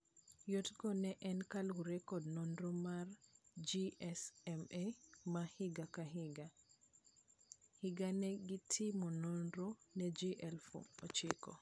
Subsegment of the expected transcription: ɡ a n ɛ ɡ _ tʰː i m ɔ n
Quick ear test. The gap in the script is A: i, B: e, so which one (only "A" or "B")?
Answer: A